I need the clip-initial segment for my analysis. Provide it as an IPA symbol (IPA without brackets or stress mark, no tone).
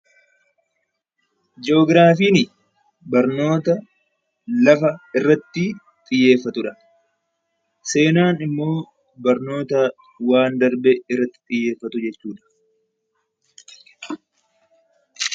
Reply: d͡ʒ